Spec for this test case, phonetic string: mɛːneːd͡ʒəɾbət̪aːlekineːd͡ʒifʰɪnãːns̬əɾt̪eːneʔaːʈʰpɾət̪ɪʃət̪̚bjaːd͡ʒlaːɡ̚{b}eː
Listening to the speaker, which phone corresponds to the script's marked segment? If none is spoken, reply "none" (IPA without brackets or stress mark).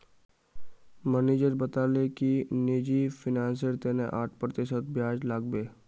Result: b